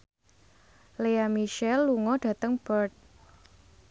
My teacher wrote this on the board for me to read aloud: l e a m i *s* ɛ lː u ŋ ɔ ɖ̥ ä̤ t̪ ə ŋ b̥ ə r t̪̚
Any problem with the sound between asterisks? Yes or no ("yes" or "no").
yes